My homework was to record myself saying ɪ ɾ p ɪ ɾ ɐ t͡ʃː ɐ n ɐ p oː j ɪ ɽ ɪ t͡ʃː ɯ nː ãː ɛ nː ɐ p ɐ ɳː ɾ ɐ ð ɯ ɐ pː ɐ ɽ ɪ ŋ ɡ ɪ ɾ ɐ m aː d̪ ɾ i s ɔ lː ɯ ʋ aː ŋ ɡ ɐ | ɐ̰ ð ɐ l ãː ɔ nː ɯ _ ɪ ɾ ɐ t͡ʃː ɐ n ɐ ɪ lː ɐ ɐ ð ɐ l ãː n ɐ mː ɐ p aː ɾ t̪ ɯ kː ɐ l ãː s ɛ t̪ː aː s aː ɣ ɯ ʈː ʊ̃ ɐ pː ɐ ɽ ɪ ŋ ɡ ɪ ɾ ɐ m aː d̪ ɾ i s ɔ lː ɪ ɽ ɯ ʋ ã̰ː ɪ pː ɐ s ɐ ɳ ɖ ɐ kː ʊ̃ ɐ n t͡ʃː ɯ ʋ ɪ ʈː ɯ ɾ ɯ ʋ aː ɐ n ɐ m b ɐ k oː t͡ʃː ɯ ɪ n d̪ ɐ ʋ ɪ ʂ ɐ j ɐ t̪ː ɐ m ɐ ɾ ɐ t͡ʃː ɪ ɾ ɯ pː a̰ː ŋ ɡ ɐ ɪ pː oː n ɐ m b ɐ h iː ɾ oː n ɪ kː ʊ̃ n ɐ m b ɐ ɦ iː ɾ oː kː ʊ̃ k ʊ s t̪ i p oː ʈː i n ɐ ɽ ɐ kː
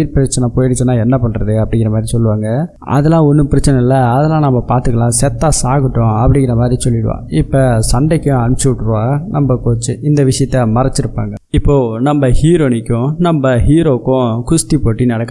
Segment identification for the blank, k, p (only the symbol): p